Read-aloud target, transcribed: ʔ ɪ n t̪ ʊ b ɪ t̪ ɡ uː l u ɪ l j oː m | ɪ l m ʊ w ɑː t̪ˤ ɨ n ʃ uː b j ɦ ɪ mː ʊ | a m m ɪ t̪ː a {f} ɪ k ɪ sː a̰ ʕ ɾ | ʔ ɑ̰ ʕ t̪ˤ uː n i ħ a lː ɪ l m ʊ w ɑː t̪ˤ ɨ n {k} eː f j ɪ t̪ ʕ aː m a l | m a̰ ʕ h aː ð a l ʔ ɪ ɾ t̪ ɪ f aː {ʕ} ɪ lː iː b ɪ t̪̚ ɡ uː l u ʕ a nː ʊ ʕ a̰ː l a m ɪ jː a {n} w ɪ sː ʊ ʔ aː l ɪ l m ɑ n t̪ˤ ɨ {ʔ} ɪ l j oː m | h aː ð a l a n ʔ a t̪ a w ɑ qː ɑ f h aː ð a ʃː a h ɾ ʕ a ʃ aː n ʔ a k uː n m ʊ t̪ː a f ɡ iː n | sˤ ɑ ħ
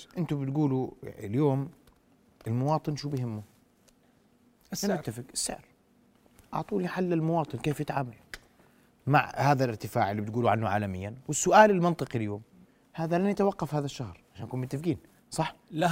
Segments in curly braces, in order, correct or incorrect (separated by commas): correct, correct, correct, correct, incorrect